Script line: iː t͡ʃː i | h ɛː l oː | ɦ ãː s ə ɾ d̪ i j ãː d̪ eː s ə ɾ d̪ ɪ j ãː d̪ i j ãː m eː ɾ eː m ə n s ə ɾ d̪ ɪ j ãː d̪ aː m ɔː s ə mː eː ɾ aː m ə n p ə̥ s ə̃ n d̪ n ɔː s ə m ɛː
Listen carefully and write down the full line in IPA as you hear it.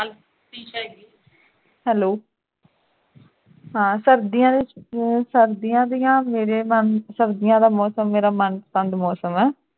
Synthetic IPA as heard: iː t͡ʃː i | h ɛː l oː | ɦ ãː s ə ɾ d̪ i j ãː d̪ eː s ə ɾ d̪ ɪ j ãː d̪ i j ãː m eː ɾ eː m ə n s ə ɾ d̪ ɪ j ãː d̪ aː m ɔː s ə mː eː ɾ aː m ə n p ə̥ s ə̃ n d̪ m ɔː s ə m ɛː

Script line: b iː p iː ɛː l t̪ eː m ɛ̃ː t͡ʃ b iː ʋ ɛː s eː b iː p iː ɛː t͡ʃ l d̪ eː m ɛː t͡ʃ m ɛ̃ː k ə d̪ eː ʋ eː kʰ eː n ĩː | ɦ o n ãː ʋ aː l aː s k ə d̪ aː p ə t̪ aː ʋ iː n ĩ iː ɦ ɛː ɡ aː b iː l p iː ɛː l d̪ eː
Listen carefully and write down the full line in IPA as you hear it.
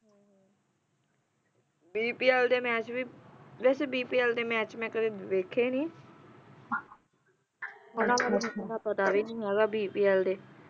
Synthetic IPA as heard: b iː p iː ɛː l d̪ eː m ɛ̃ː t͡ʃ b iː ʋ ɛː s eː b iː p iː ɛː l d̪ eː m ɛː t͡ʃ m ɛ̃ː k ə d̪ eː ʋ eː kʰ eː n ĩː | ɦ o n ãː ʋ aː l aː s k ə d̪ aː p ə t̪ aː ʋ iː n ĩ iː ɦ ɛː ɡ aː b iː p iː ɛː l d̪ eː

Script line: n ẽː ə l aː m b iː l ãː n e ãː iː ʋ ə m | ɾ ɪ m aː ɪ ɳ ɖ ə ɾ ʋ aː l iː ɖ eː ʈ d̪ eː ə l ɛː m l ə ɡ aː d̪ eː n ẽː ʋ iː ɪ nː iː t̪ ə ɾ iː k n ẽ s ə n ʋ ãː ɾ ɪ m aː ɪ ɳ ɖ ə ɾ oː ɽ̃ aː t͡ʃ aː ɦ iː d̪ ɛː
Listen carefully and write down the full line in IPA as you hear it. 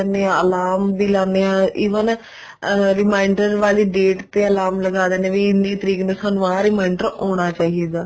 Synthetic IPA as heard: n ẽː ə l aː m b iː l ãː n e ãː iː ʋ ə n | ɾ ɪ m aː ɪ ɳ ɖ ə ɾ ʋ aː l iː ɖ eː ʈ t̪ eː ə l aː m l ə ɡ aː d̪ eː n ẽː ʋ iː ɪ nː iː t̪ ə ɾ iː k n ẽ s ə n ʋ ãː ɾ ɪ m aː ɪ ɳ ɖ ə ɾ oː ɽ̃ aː t͡ʃ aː ɦ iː d̪ aː

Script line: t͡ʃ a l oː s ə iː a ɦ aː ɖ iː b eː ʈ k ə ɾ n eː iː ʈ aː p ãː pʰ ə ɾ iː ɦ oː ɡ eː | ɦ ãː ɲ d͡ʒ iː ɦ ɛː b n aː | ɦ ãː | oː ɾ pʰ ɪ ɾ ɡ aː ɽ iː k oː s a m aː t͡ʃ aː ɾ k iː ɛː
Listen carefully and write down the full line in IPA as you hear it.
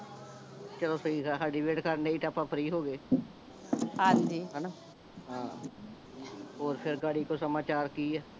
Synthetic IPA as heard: t͡ʃ ə l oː s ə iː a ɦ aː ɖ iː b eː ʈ k ə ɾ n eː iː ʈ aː p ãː pʰ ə ɾ iː ɦ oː ɡ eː | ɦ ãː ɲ d͡ʒ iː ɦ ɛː n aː | ɦ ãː | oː ɾ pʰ ɪ ɾ ɡ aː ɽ iː k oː s ə m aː t͡ʃ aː ɾ k iː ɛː

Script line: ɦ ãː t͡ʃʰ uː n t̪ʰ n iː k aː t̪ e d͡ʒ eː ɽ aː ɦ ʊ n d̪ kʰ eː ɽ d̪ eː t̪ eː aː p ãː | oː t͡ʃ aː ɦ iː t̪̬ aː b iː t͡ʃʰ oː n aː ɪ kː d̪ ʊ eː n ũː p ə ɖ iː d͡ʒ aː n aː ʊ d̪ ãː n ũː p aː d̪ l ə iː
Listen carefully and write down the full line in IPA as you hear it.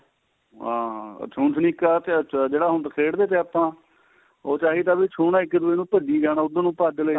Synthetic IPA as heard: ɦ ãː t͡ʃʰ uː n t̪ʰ n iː k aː t̪ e d͡ʒ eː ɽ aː ɦ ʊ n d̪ kʰ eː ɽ d̪ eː t̪ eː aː p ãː | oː t͡ʃ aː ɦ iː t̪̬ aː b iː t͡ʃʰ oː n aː ɪ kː d̪ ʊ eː n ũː p ə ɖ iː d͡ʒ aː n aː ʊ d̪ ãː n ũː p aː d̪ l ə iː

